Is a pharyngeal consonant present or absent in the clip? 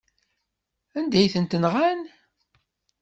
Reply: absent